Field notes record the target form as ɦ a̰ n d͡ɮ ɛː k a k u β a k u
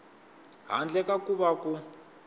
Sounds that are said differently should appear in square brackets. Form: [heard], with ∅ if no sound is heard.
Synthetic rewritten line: ɦ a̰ n d͡ɮ [ɛ] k a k u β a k u